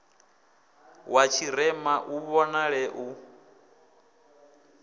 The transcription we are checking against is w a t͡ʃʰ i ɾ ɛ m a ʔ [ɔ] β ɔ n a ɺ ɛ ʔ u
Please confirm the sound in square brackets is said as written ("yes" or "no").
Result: no